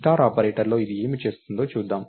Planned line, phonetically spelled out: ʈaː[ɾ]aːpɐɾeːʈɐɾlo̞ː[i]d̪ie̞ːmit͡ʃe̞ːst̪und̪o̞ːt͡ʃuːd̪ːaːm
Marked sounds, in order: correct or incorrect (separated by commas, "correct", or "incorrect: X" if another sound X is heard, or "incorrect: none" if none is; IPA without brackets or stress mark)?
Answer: correct, correct